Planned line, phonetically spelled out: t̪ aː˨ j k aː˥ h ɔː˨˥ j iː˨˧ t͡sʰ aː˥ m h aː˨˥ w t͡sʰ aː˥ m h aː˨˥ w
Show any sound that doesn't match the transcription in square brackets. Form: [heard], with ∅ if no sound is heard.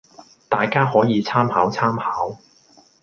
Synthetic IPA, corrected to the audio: t̪ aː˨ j k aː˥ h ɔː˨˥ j iː˨˧ t͡sʰ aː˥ m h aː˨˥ w t͡sʰ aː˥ m h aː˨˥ w